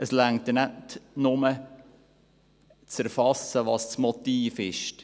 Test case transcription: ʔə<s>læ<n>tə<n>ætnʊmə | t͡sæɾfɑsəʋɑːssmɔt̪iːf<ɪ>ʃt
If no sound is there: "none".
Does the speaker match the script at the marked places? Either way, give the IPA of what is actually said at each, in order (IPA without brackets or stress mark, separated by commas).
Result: s, ŋ, n, ɪ